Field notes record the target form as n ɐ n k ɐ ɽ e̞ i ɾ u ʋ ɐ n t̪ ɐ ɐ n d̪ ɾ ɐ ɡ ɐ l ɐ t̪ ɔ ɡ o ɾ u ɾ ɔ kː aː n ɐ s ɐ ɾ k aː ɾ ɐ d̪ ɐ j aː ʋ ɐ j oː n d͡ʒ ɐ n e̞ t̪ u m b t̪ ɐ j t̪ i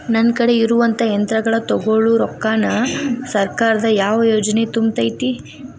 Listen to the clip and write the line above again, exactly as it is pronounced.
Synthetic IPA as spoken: n ɐ n k ɐ ɽ e̞ i ɾ u ʋ ɐ n t̪ ɐ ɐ n t̪ ɾ ɐ ɡ ɐ ɭ ɐ t̪ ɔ ɡ o ɭ u ɾ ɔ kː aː n ɐ s ɐ ɾ k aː ɾ ɐ d̪ ɐ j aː ʋ ɐ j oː d͡ʒ ɐ n e̞ t̪ u m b t̪ ɐ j t̪ i